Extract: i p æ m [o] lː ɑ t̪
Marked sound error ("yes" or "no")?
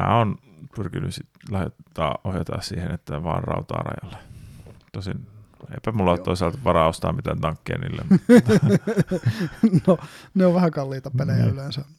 yes